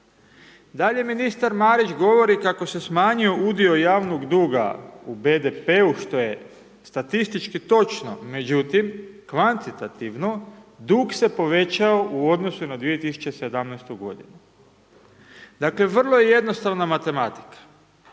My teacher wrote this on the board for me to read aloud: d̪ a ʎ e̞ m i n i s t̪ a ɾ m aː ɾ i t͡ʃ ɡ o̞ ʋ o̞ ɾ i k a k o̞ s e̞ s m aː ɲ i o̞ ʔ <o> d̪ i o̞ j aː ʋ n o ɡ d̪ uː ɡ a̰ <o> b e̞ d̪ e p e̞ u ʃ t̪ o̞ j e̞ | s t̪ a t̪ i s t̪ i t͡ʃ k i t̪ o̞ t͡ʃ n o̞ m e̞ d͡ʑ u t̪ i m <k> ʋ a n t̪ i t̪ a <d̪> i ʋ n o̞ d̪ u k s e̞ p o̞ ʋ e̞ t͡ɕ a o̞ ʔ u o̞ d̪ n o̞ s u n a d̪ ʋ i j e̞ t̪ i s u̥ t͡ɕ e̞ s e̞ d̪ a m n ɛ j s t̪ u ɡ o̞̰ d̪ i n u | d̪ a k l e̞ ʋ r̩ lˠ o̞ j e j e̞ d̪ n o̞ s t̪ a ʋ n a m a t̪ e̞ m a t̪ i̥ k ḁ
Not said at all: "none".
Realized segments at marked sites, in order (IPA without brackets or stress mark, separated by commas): u, u, k, t̪